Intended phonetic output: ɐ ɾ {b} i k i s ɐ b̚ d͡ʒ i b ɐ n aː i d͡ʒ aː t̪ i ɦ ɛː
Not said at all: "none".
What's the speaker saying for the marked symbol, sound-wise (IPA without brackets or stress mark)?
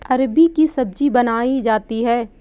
b